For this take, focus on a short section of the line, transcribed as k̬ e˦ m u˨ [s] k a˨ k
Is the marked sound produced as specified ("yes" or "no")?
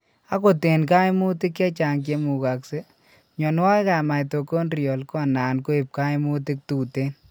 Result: no